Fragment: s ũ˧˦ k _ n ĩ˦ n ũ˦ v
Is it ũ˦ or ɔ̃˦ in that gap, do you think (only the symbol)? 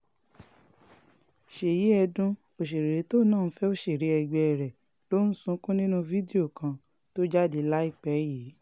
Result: ũ˦